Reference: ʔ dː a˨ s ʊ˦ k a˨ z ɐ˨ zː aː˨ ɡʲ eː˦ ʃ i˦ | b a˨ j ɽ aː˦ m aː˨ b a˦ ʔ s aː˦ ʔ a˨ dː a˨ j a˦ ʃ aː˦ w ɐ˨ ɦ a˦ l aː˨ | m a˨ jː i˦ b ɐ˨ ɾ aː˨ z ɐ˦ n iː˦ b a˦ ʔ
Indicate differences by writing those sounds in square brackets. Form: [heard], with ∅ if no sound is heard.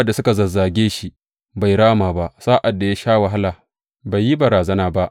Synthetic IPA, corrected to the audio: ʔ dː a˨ s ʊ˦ k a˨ z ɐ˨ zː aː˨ ɡʲ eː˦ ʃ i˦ | b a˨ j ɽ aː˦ m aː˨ b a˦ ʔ s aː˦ ʔ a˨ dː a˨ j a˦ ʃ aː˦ w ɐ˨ ɦ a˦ l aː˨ | [b] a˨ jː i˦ b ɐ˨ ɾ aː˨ z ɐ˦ n [aː˦] b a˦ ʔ